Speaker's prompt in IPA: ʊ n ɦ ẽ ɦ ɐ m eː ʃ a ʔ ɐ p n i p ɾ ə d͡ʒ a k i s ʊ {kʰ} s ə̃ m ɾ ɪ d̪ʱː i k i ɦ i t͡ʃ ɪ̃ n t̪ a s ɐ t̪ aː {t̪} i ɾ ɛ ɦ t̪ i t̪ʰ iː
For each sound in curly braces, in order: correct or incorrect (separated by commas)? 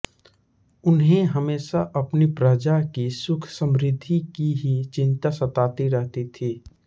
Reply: correct, correct